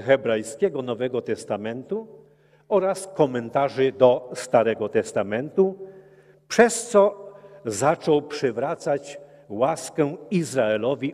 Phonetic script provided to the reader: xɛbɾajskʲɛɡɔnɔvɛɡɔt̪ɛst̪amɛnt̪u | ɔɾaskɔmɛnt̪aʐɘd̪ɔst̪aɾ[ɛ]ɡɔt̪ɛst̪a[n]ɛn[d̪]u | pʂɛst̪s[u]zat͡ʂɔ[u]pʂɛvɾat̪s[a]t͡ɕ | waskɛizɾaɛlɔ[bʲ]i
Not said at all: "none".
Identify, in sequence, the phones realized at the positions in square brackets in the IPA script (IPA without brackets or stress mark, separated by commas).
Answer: ɛ, m, t̪, ɔ, w, a, vʲ